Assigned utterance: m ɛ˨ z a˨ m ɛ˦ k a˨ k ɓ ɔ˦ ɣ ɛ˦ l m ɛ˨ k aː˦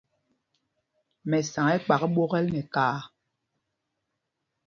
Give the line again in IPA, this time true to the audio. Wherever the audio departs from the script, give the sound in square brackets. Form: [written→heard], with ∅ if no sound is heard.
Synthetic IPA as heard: m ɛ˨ [z→s] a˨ [m→ŋ] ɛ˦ [k→k͡p] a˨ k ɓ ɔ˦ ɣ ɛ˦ l [m→n] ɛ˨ k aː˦

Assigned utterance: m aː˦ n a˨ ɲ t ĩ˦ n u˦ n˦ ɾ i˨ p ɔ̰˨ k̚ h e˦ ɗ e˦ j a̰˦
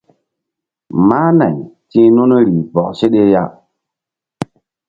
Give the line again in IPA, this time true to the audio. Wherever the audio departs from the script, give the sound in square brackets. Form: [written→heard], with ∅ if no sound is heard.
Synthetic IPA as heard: m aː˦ n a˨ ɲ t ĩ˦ n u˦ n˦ ɾ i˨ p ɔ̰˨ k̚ [h→s] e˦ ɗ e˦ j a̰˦

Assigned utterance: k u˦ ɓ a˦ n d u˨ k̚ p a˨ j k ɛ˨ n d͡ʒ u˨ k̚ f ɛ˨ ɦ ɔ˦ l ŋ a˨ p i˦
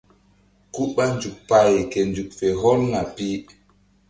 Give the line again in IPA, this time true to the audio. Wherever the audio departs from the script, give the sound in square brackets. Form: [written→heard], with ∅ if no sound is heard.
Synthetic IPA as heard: k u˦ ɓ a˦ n [d→d͡ʒ] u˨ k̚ p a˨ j k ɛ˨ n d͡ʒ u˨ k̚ f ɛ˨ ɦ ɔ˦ l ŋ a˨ p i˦

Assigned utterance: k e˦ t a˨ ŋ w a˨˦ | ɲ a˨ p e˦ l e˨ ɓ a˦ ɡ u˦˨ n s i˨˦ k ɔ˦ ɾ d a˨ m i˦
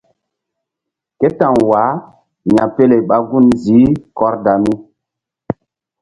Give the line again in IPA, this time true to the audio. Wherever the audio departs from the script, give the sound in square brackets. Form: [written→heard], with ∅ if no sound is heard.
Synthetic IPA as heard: k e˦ t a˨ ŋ w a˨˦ | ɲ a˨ p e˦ l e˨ ɓ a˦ ɡ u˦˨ n [s→z] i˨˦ k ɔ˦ ɾ d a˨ m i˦

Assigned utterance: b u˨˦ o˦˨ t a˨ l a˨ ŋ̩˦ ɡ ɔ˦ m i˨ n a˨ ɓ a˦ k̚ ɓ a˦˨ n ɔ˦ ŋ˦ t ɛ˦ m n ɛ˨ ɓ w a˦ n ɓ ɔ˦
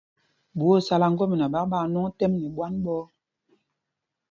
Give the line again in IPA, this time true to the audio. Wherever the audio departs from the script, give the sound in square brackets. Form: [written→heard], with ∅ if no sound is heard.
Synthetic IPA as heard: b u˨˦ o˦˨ [t→s] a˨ l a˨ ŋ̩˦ ɡ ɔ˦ m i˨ n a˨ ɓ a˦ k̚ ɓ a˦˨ n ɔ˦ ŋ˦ t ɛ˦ m n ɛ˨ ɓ w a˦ n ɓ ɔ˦

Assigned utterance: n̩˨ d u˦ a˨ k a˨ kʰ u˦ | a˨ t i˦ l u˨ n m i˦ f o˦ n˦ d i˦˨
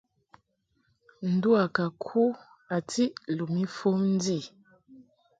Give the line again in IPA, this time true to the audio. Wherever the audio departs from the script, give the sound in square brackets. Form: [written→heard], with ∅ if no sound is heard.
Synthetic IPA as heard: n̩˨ d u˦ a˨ k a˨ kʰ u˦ | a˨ t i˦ l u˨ [n→∅] m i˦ f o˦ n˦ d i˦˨

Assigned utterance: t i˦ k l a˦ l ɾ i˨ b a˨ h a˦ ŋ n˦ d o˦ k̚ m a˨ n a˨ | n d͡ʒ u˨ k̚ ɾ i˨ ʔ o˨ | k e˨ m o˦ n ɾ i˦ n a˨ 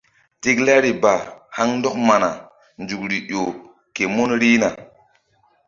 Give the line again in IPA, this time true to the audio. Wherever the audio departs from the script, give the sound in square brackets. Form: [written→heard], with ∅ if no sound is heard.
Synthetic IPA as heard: t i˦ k l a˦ [l→∅] ɾ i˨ b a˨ h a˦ ŋ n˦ d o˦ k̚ m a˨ n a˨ | n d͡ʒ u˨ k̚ ɾ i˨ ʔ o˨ | k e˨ m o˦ n ɾ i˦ n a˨

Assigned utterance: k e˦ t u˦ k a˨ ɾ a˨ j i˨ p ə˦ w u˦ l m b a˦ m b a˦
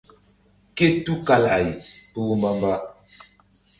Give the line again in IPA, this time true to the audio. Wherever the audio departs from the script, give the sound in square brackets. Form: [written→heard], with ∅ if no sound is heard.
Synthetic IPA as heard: k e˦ t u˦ k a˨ [ɾ→l] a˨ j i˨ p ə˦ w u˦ [l→∅] m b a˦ m b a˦

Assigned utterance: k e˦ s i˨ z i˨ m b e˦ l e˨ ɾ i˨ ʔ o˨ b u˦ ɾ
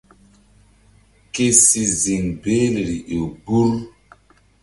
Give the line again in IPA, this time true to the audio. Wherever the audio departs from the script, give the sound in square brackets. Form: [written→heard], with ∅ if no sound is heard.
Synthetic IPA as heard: k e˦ s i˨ z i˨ [m→ŋ] b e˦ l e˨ ɾ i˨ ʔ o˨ b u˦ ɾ

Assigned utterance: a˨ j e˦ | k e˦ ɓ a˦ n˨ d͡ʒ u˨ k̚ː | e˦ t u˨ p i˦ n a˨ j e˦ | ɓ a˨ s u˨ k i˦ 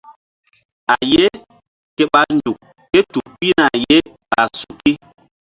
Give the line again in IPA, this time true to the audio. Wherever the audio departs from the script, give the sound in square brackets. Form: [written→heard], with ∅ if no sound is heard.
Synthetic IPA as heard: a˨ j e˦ | k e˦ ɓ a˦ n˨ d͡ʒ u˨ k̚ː | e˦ t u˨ p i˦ n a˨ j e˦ | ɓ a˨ s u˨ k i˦

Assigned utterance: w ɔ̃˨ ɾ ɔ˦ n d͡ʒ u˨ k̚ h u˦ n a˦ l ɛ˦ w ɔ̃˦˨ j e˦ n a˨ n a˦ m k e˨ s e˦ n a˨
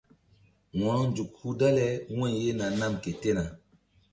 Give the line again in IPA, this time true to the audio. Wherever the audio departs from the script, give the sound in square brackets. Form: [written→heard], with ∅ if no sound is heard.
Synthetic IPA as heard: w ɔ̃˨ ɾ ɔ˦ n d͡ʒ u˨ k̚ h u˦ [n→d] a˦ l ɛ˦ w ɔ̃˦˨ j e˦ n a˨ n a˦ m k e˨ [s→t] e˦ n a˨

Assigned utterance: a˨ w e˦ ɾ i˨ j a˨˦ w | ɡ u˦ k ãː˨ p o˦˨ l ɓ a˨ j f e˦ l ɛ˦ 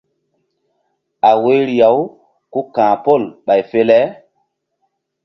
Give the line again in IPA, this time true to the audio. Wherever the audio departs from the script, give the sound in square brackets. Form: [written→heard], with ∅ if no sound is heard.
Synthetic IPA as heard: a˨ w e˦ ɾ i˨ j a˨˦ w | [ɡ→k] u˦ k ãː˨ p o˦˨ l ɓ a˨ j f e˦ l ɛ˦

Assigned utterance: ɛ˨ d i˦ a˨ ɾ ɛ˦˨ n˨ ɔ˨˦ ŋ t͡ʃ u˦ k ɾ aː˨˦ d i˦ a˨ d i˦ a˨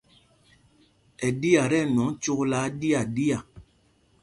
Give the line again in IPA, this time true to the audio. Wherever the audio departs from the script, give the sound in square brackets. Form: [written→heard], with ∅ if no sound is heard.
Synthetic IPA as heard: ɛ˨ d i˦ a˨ ɾ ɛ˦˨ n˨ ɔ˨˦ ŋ t͡ʃ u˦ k [ɾ→l] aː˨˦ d i˦ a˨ d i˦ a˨

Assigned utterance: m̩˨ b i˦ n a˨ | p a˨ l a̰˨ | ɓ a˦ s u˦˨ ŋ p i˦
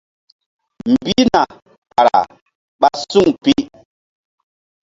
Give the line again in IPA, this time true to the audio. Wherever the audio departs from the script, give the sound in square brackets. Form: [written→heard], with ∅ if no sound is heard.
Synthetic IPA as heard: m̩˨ b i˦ n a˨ | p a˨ [l→ɾ] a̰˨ | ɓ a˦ s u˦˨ ŋ p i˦

